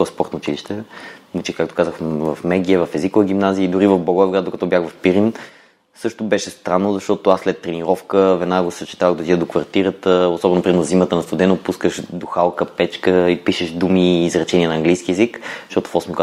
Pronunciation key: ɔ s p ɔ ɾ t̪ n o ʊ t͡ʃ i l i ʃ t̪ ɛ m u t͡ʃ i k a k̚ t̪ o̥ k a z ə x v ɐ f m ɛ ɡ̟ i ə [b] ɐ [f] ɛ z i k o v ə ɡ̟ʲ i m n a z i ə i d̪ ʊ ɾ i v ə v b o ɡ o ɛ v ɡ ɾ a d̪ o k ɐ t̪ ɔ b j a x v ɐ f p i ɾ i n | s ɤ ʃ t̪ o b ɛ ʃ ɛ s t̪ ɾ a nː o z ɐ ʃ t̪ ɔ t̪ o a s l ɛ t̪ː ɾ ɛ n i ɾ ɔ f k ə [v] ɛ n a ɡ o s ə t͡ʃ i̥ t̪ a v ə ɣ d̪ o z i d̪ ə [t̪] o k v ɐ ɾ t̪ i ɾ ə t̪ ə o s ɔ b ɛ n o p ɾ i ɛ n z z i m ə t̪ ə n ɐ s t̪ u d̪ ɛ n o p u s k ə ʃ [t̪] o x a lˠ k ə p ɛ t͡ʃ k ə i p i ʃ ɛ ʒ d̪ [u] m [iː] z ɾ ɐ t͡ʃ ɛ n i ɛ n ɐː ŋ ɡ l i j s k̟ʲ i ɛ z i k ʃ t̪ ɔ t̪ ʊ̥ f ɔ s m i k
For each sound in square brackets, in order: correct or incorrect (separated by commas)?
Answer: incorrect, correct, correct, incorrect, incorrect, correct, correct